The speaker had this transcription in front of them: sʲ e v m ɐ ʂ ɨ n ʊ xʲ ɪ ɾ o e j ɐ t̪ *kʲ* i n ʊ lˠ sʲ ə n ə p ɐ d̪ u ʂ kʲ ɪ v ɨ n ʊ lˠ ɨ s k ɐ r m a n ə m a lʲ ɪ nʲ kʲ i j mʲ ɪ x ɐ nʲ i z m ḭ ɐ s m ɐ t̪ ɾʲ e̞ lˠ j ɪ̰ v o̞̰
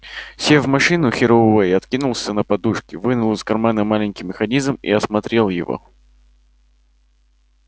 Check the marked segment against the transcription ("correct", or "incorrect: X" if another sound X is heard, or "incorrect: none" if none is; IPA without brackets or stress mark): correct